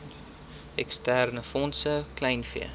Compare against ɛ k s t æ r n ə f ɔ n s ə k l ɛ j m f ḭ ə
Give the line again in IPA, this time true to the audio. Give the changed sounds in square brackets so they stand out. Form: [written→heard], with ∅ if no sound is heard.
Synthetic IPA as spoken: ɛ k s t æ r n ə f ɔ n s ə k l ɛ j [m→n] f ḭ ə